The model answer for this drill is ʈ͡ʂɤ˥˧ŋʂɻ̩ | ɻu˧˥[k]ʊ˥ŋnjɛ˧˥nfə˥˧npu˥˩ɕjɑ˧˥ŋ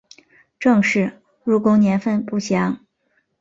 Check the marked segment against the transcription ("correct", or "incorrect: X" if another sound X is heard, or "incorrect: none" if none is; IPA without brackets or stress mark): correct